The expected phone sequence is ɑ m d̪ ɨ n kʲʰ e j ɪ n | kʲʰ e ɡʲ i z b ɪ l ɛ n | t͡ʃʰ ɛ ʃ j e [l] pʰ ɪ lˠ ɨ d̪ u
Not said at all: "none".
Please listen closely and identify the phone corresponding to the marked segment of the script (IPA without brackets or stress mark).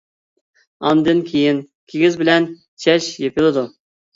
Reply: none